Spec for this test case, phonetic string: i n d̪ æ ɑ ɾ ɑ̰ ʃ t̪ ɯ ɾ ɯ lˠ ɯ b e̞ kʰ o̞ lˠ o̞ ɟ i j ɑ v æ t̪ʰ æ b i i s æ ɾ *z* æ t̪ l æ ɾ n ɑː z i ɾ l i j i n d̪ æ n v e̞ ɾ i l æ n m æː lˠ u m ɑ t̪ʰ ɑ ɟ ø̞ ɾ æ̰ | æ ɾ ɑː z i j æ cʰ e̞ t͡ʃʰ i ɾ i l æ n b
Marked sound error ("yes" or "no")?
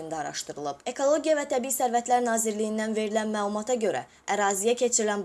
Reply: yes